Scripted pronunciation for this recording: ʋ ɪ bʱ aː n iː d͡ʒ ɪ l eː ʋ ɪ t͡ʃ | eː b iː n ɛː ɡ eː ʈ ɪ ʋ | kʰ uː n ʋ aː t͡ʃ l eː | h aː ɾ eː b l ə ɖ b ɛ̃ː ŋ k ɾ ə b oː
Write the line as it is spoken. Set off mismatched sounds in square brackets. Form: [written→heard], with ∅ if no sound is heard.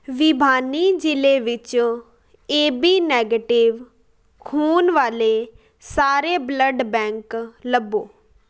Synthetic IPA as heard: ʋ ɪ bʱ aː n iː d͡ʒ ɪ l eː ʋ ɪ t͡ʃ | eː b iː n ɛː ɡ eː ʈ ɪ ʋ | kʰ uː n ʋ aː [t͡ʃ→∅] l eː | [h→s] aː ɾ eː b l ə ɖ b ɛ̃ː ŋ k [ɾ→l] ə b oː